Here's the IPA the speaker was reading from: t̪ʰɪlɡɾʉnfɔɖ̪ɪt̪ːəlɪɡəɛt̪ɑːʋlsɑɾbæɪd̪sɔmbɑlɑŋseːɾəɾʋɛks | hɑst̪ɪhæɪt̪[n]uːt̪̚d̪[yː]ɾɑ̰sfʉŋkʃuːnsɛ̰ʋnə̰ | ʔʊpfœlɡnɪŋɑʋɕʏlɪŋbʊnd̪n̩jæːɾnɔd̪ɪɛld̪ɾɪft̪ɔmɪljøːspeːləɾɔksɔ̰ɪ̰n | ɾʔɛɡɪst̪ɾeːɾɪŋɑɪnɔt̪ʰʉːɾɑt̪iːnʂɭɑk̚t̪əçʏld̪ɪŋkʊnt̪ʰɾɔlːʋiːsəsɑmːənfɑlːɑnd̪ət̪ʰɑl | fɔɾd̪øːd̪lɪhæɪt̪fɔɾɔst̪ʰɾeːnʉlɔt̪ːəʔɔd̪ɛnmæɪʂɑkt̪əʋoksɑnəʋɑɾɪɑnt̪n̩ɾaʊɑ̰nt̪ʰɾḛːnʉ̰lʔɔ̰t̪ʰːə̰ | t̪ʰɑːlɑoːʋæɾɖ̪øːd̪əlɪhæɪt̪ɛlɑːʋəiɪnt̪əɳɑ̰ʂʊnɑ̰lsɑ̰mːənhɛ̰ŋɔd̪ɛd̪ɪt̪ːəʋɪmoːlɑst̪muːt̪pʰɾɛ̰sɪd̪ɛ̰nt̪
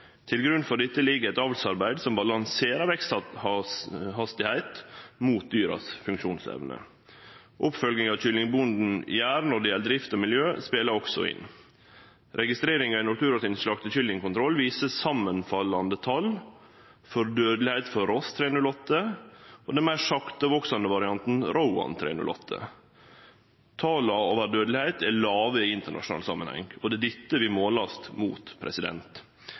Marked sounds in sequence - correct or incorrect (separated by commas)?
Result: incorrect, correct